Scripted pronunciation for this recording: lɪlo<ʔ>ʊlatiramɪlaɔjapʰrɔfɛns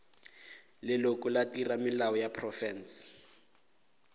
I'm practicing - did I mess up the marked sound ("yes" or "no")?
yes